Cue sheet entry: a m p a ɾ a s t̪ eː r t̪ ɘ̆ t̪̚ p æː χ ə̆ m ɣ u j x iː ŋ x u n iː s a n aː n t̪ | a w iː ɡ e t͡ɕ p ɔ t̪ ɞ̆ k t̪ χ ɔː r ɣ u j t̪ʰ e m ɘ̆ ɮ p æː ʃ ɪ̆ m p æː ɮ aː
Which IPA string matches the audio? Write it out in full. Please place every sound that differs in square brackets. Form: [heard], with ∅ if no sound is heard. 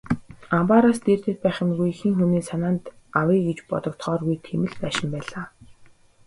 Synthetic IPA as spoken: a m p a ɾ a s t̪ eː r t̪ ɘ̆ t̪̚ p æː χ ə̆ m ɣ u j x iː ŋ x u n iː s a n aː n t̪ | a w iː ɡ e t͡ɕ p ɔ t̪ ɞ̆ k t̪ χ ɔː r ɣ u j t̪ʰ e m ɘ̆ ɮ p æː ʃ ɪ̆ m p æː ɮ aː